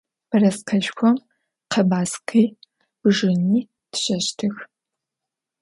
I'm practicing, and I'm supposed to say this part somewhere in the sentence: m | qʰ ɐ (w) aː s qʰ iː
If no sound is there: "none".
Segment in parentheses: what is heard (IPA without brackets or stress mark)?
b